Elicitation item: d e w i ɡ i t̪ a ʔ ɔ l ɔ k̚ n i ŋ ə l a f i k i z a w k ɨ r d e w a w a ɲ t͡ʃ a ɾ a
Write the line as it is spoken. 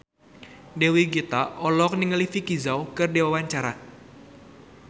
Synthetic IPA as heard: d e w i ɡ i t̪ a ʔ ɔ l ɔ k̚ n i ŋ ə l i f i k i z a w k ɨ r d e w a w a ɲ t͡ʃ a ɾ a